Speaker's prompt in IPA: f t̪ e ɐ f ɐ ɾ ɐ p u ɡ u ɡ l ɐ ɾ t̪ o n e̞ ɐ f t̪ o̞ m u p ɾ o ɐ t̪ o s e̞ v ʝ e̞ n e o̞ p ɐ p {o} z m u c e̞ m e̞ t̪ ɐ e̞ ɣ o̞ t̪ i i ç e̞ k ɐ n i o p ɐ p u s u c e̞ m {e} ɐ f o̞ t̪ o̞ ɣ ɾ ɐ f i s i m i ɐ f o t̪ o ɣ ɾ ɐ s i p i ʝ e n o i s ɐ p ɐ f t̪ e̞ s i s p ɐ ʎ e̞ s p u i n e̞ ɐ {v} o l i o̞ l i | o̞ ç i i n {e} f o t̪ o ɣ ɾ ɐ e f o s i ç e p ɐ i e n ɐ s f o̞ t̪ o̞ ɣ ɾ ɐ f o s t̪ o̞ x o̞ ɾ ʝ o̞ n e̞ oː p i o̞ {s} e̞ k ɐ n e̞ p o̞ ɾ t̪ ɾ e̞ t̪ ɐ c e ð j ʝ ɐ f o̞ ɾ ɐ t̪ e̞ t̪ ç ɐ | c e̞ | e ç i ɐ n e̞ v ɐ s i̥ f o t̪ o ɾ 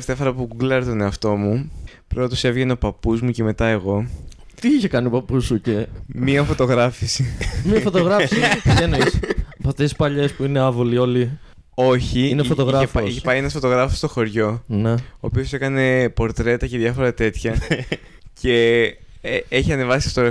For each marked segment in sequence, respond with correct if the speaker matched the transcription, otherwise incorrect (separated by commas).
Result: incorrect, incorrect, correct, correct, correct